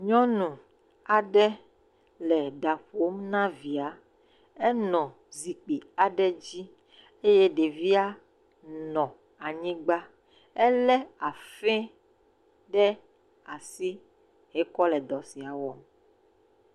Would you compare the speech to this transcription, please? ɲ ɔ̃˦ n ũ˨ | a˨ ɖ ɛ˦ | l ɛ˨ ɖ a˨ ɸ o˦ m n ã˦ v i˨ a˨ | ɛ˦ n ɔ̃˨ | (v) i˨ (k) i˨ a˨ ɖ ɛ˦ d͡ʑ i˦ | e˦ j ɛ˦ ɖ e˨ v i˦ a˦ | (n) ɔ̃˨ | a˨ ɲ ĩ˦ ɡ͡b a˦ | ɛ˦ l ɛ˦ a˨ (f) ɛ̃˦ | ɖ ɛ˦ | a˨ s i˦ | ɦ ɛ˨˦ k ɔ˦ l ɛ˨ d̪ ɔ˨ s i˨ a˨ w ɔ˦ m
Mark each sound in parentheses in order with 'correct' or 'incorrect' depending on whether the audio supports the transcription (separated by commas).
incorrect, incorrect, correct, correct